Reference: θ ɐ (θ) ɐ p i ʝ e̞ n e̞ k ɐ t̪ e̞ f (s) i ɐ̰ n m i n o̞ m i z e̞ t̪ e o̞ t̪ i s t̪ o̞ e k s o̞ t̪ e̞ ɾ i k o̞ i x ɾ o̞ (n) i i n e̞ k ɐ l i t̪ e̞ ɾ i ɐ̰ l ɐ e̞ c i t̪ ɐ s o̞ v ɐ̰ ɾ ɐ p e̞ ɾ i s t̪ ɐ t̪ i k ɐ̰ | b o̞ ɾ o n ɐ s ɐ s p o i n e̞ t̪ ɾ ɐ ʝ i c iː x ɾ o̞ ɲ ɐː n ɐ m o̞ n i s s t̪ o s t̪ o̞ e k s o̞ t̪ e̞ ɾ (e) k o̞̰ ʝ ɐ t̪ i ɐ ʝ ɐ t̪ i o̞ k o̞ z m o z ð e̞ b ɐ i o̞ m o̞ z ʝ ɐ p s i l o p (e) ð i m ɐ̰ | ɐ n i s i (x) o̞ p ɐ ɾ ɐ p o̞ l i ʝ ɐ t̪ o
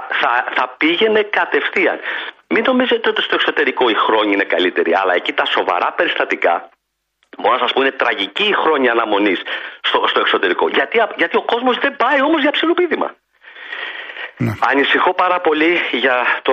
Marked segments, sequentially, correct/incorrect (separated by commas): correct, incorrect, incorrect, incorrect, incorrect, correct